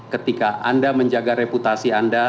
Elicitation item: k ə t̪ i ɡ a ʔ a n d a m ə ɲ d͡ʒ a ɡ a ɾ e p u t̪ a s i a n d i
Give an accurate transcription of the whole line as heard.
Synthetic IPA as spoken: k ə t̪ i k a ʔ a n d a m ə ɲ d͡ʒ a ɡ a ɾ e p u t̪ a s i a n d a